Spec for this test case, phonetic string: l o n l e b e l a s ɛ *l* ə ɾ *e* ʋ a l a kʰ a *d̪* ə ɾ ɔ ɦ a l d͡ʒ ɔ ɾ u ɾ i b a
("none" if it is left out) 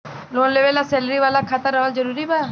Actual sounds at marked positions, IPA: l, i, t̪

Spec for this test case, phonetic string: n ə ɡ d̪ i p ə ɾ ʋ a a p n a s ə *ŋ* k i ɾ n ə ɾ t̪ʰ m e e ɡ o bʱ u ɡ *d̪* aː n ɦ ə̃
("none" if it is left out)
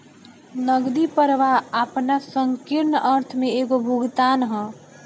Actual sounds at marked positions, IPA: ŋ, t̪

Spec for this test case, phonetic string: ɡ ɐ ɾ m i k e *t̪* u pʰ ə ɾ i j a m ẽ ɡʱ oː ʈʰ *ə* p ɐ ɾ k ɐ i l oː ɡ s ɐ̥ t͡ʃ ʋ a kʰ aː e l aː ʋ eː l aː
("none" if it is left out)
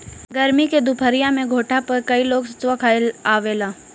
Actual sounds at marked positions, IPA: d̪, a

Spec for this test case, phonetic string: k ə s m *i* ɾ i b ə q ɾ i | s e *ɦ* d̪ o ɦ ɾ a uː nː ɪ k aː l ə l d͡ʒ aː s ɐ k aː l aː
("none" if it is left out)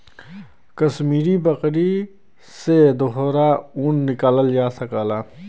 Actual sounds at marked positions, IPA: iː, none

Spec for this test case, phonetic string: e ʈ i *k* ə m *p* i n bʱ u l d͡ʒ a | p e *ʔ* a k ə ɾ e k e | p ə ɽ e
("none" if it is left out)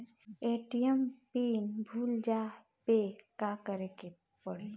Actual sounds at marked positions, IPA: none, p, k

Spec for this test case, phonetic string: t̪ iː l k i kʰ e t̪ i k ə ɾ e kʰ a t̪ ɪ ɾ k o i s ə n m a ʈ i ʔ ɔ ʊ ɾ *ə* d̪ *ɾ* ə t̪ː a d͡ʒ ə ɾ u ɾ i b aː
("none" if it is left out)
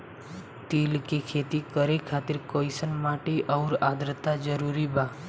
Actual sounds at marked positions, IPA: a, ɾ

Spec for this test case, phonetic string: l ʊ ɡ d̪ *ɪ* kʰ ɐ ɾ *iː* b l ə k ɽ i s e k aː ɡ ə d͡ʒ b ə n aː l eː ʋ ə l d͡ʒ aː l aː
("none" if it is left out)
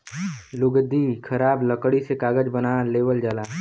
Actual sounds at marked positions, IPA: i, aː

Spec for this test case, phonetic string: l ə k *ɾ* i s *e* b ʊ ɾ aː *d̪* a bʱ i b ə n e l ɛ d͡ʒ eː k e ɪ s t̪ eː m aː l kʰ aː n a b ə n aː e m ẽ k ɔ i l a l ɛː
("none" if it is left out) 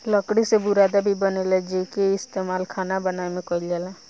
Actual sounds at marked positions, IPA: ɽ, e, d̪

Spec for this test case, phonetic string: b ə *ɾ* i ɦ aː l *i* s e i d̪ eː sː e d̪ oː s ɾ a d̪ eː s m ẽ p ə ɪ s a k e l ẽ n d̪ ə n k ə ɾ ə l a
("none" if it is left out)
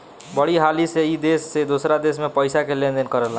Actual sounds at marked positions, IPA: ɽ, i

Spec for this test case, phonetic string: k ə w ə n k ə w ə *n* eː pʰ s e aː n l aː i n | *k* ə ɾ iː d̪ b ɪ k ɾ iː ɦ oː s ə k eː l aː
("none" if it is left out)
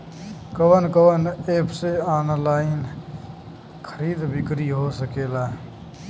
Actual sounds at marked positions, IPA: n, kʰ

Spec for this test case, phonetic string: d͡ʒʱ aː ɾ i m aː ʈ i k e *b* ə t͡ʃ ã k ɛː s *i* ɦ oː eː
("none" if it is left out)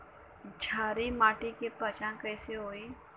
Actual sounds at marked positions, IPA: p, e

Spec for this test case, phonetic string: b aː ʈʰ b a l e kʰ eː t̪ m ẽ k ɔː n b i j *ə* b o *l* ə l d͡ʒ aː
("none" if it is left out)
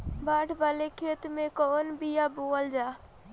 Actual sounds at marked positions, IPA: a, none

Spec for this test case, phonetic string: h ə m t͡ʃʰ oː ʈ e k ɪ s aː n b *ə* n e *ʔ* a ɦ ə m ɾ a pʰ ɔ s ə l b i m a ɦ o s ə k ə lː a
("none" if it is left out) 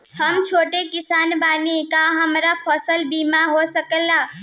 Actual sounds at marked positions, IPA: a, k

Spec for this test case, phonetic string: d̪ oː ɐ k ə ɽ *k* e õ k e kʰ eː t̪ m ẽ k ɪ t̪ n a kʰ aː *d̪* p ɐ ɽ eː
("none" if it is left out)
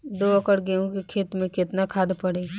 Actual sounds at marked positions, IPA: ɡ, d̪

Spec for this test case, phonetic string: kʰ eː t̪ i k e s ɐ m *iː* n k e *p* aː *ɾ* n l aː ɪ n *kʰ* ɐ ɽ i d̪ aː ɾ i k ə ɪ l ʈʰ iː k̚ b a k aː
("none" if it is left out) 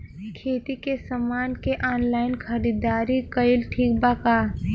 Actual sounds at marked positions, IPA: aː, ʔ, none, kʰ

